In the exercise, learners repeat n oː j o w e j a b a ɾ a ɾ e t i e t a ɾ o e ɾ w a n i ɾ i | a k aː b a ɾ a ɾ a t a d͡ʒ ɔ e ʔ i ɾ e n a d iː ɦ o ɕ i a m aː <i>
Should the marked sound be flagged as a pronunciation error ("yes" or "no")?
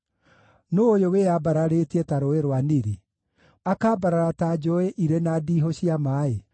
yes